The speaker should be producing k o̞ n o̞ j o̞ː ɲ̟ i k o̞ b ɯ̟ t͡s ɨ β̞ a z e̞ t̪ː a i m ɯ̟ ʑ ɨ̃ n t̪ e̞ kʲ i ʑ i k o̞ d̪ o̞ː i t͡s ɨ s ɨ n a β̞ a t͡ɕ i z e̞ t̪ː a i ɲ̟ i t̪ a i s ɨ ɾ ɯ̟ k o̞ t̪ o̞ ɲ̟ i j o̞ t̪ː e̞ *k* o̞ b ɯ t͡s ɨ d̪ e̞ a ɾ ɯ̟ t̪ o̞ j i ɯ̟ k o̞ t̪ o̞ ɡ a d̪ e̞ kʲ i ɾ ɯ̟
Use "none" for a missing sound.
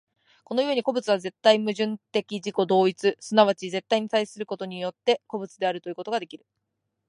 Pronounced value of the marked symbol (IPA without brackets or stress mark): k